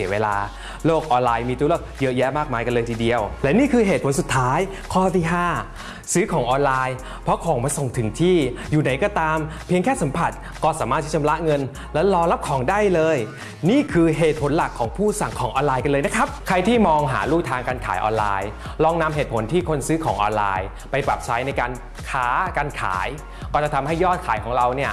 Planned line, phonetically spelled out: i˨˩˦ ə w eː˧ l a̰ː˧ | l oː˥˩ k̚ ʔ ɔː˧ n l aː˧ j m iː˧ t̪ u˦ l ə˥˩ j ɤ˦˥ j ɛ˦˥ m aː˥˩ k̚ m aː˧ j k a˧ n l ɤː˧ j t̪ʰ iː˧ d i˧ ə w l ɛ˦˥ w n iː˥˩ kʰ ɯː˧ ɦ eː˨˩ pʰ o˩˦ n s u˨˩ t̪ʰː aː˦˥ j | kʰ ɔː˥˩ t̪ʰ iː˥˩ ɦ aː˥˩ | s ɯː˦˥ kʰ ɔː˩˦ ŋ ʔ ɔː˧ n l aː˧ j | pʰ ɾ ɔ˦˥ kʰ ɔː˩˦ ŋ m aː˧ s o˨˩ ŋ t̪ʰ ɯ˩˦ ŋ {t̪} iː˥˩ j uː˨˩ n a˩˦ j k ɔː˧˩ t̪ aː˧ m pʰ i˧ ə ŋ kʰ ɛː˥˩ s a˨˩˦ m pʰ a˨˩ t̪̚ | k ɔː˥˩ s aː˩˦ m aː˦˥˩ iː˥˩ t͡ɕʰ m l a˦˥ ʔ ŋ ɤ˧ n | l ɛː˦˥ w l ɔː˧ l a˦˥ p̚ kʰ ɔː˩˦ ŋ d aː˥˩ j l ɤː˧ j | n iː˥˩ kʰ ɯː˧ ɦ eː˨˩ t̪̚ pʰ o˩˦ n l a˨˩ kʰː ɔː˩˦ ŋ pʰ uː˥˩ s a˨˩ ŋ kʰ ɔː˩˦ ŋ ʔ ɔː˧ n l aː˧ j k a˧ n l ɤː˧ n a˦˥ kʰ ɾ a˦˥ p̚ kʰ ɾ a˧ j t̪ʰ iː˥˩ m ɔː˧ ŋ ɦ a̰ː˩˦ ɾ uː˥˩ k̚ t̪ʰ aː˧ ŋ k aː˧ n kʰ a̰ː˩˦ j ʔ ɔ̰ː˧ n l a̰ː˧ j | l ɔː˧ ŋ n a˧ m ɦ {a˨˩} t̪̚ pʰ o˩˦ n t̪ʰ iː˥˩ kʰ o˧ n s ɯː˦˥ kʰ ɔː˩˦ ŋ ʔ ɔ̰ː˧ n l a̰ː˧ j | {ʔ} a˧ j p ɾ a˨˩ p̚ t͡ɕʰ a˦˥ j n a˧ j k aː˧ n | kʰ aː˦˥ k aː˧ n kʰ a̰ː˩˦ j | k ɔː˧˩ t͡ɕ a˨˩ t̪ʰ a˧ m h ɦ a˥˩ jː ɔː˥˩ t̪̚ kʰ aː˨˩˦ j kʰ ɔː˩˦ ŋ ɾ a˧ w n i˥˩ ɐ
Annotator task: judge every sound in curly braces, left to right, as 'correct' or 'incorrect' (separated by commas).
incorrect, incorrect, incorrect